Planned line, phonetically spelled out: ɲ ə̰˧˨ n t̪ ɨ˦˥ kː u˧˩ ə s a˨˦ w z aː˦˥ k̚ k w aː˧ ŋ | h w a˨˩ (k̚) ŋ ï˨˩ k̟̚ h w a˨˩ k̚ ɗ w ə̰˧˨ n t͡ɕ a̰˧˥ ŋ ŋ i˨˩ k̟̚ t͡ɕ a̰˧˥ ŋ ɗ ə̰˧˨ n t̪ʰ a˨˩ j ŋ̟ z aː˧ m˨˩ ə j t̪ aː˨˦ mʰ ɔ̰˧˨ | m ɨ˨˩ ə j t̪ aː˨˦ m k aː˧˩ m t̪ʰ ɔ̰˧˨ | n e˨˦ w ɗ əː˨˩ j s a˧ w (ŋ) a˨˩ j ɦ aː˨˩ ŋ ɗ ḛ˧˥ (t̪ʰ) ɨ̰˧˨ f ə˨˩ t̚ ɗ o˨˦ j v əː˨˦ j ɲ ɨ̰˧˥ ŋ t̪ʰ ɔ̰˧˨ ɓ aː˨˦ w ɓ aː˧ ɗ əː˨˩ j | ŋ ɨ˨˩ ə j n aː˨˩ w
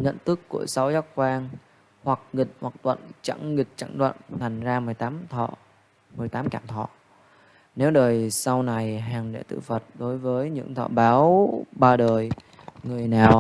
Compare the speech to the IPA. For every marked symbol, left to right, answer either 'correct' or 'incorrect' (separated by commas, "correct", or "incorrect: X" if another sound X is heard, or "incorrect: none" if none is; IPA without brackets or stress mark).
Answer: correct, incorrect: n, incorrect: t̪